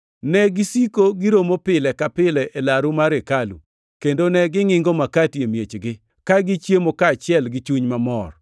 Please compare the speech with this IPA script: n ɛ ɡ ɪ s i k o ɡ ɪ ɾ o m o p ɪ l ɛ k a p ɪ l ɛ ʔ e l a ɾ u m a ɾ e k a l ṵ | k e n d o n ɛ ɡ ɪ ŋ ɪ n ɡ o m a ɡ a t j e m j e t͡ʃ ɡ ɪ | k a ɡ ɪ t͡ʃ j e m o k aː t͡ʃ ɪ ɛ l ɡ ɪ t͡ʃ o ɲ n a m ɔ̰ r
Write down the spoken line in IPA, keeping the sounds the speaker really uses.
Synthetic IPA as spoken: n ɛ ɡ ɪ s i k o ɡ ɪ ɾ o m o p ɪ l ɛ k a p ɪ l ɛ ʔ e l a ɾ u m a ɾ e k a l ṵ | k e n d o n ɛ ɡ ɪ ŋ ɪ ŋ ɡ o m a k a t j e m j e t͡ʃ ɡ ɪ | k a ɡ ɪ t͡ʃ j e m o k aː t͡ʃ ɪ ɛ l ɡ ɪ t͡ʃ u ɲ m a m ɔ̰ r